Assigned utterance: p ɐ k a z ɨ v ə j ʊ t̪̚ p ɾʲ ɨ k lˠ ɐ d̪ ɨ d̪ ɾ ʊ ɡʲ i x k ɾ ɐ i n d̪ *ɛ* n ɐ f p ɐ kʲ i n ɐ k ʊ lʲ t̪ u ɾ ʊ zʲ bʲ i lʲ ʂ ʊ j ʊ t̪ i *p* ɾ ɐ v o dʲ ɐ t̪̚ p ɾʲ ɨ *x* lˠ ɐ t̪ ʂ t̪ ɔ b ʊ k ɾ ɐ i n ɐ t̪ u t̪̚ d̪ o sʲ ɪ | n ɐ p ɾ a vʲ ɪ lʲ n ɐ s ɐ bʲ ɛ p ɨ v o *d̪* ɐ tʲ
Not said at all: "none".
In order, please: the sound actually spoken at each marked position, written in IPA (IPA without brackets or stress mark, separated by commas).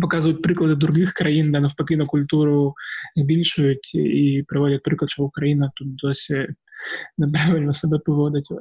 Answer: a, p, k, d̪